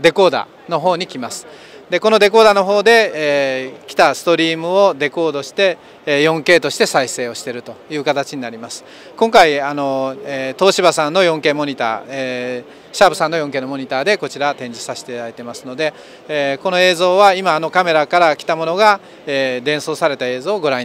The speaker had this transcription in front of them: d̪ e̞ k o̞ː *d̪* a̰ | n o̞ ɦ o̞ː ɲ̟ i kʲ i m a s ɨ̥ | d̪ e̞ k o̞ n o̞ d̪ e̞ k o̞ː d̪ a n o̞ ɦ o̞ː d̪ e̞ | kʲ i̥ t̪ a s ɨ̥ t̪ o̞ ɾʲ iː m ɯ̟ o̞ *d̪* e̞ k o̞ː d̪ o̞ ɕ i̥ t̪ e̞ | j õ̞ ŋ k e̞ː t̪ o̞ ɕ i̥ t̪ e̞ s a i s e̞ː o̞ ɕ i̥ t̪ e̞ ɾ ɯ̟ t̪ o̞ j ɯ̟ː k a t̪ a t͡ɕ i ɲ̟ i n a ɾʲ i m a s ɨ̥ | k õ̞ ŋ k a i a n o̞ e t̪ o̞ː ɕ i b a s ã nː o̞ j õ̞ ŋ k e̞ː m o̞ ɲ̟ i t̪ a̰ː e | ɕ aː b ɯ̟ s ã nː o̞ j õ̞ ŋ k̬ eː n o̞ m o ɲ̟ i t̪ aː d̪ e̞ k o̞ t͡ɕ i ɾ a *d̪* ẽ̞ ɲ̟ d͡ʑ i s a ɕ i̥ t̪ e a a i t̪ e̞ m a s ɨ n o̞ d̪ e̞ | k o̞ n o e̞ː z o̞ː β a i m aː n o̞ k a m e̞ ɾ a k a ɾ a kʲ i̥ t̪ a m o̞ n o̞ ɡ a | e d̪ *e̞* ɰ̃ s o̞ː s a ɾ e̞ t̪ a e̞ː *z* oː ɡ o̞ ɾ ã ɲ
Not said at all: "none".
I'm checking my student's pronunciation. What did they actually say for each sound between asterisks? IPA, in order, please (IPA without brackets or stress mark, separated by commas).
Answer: d̪, d̪, t̪, ẽ̞, z